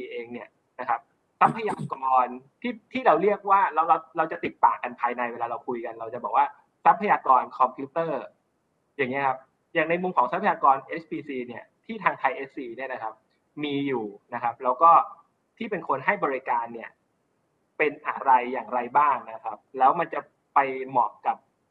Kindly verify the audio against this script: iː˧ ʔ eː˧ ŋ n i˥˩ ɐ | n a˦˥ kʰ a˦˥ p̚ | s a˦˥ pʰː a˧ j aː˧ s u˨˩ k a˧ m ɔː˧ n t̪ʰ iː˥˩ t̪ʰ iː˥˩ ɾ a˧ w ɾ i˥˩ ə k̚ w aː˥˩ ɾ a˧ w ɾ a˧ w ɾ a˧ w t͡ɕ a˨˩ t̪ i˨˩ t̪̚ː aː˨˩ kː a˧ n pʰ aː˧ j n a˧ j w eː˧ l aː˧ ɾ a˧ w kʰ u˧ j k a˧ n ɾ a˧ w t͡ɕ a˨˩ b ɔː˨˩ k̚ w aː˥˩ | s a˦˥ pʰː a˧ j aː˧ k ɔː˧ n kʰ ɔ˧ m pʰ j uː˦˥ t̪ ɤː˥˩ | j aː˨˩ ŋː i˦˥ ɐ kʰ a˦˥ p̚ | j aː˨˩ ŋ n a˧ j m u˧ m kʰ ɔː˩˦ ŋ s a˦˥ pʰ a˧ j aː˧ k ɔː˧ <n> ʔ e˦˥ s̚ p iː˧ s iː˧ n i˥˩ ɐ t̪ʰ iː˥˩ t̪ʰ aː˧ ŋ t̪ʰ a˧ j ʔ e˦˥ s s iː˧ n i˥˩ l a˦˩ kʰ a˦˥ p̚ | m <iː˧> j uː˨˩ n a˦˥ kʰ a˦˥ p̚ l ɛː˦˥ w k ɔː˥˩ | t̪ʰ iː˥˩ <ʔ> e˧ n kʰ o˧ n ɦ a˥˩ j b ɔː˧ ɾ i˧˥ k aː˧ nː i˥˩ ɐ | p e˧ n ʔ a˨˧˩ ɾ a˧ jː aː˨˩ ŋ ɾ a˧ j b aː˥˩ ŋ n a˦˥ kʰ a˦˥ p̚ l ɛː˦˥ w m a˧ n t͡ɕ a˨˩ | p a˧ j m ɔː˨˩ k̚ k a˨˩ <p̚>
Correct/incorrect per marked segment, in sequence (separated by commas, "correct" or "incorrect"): correct, correct, incorrect, correct